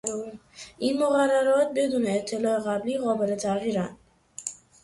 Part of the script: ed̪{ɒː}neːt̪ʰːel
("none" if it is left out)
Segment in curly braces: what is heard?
uː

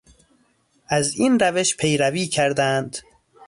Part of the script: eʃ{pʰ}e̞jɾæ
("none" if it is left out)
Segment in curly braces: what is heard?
pʰ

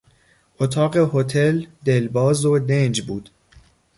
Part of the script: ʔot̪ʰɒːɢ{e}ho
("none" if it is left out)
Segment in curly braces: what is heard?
e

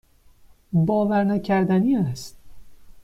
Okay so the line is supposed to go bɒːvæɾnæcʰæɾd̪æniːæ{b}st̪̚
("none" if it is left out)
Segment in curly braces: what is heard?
none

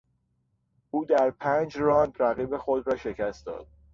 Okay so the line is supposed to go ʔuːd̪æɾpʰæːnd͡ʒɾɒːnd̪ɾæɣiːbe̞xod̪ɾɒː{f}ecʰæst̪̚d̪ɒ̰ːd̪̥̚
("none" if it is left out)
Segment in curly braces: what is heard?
ʃ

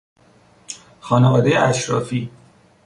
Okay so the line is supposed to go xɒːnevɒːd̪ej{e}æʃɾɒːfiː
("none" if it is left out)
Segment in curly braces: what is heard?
e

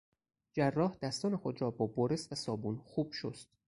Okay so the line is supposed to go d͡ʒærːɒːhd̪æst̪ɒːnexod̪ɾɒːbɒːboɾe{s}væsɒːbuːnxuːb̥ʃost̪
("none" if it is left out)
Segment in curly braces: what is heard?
s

